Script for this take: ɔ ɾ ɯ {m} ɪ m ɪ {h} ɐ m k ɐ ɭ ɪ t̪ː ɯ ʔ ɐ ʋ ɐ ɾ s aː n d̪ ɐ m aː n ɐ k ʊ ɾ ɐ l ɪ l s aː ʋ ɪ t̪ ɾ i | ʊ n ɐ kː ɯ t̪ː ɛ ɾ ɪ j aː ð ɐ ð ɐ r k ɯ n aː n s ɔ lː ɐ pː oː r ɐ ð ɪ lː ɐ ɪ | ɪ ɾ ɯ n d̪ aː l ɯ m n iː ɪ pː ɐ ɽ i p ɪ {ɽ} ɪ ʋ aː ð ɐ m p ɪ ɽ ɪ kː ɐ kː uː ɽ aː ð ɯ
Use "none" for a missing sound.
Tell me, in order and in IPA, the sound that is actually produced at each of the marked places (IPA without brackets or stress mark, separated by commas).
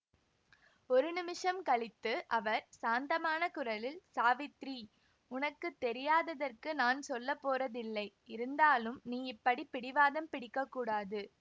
n, ʂ, ɽ